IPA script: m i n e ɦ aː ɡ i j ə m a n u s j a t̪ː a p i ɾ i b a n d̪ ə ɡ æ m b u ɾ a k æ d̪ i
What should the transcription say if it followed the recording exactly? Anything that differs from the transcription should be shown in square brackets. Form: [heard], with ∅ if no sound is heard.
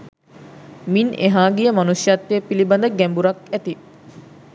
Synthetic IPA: m i n e ɦ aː ɡ i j ə m a n u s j a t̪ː [e] p i [l] i b a n d̪ ə ɡ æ m b u ɾ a k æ [t̪] i